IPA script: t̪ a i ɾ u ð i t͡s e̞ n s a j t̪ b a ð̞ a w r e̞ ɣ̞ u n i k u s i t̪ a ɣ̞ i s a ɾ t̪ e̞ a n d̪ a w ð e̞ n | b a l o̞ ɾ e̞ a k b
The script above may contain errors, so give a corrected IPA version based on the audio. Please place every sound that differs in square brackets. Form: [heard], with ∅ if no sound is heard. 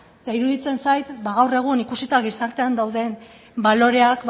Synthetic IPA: t̪ a i ɾ u ð i t͡s e̞ n s a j t̪ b a [ɣ̞] a w r e̞ ɣ̞ u n i k u s i t̪ a ɣ̞ i s a ɾ t̪ e̞ a n d̪ a w ð e̞ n | b a l o̞ ɾ e̞ a k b